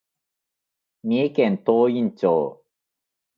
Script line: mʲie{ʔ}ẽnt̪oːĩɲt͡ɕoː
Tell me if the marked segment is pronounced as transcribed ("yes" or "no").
no